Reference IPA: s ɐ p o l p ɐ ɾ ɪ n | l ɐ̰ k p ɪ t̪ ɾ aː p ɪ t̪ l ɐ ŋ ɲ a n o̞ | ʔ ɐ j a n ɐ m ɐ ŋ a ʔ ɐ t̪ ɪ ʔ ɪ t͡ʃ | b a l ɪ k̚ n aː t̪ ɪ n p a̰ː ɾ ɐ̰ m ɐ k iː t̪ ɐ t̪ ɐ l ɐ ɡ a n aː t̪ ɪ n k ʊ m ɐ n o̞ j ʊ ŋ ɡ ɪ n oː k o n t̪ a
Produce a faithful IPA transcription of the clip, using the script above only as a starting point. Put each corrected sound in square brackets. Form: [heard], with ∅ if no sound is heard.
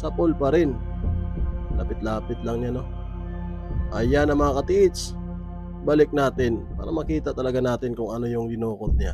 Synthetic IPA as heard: s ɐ p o l p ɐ ɾ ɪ n | l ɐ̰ [∅] p ɪ t̪ [l] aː p ɪ t̪ l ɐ ŋ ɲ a n o̞ | ʔ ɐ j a n ɐ m ɐ ŋ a [k] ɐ t̪ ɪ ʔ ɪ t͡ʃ | b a l ɪ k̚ n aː t̪ ɪ n p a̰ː ɾ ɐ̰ m ɐ k iː t̪ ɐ t̪ ɐ l ɐ ɡ a n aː t̪ ɪ n k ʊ [ŋ] ɐ n o̞ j ʊ ŋ ɡ ɪ n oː k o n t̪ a